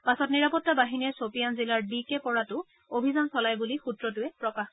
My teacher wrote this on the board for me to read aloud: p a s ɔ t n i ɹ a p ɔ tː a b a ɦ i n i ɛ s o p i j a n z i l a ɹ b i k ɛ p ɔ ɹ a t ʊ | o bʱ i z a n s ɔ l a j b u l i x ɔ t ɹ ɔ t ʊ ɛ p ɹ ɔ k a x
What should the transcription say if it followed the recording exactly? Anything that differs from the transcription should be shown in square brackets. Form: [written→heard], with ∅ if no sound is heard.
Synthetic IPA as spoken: p a s ɔ t n i ɹ a p ɔ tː a b a ɦ i n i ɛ s o p i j a n z i l a ɹ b i k ɛ p ɔ ɹ a t ʊ | o bʱ i z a n s ɔ l a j b u l i x [ɔ→u] t ɹ ɔ t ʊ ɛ p ɹ ɔ k a x